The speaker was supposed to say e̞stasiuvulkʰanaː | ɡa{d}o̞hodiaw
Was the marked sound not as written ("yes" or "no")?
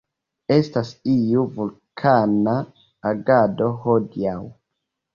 no